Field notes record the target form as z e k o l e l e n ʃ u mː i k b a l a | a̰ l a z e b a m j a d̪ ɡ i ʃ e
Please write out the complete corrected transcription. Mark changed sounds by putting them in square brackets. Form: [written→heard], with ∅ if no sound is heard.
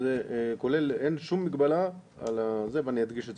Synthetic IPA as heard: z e k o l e l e n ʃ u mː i k b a l a | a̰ l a z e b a [m→n] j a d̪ ɡ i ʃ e